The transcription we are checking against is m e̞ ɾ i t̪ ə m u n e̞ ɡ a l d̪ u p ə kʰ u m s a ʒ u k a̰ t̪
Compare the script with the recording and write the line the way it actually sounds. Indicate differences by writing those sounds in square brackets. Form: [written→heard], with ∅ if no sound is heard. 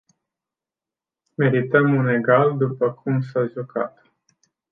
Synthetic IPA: m e̞ ɾ i t̪ ə m u n e̞ ɡ a l d̪ u p ə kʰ u m s a ʒ u k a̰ t̪